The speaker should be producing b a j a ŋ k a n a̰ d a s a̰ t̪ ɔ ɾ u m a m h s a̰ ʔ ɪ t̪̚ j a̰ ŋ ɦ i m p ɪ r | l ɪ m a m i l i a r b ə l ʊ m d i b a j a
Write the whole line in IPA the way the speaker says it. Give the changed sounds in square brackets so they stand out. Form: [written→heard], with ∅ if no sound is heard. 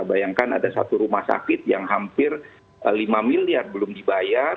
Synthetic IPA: b a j a ŋ k a n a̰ d a s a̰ t̪ [ɔ→u] ɾ u m a [m→∅] h s a̰ [ʔ→k] ɪ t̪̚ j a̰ ŋ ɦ [i→a] m p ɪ r | l [ɪ→i] m a m i l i a r b ə l ʊ m d i b a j a